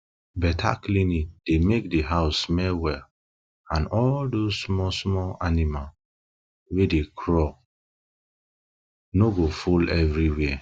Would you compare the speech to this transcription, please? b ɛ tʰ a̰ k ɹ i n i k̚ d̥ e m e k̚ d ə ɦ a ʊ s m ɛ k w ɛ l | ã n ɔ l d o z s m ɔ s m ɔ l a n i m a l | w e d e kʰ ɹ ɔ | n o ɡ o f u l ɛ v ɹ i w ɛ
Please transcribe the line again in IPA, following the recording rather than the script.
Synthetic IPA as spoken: b ɛ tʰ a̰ k l i n i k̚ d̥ e m e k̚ d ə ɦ a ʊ s m ɛ w ɛ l | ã n ɔ l d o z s m ɔ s m ɔ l a n i m a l | w e d e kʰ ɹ ɔ | n o ɡ o f u l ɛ v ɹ i w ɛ